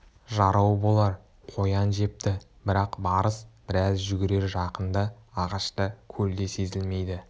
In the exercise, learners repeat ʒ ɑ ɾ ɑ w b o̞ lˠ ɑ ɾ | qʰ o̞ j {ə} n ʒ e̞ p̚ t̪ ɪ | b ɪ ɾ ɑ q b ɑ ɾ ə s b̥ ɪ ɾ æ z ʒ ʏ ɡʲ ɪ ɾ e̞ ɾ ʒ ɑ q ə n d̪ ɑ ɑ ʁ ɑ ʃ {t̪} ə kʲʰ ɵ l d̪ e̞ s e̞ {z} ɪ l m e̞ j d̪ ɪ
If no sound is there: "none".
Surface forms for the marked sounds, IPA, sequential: ɑ, t̪, z

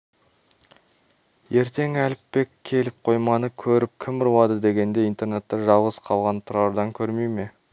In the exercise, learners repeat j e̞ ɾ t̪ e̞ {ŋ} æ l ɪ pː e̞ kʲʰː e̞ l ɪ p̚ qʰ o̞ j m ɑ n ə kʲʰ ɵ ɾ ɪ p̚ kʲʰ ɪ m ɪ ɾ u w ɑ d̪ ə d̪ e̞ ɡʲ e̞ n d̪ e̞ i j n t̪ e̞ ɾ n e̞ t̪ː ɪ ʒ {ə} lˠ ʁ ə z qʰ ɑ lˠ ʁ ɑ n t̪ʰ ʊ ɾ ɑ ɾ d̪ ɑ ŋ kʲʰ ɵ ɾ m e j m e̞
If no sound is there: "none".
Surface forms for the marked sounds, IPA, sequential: ŋ, ɑ

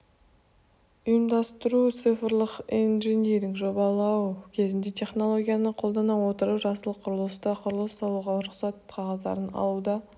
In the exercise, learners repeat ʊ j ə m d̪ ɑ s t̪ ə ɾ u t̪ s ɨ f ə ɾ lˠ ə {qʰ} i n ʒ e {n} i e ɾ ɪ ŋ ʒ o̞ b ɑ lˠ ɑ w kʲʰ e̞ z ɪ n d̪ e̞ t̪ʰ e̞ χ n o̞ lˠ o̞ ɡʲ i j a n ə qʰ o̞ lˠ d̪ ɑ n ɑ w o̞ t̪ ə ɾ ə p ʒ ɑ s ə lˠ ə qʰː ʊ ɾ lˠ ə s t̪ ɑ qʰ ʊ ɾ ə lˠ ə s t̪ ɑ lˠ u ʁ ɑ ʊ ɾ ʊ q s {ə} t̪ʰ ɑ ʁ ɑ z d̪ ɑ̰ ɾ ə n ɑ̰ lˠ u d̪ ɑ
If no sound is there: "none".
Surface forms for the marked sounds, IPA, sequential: q, n, ɑ

